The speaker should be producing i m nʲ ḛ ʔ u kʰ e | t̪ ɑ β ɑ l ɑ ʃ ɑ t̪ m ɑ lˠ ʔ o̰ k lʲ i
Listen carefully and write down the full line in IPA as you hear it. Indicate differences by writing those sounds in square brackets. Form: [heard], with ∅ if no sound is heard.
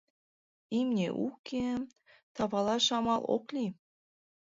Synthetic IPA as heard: i m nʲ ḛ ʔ u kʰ e | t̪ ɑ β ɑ l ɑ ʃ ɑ [∅] m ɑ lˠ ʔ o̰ k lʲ i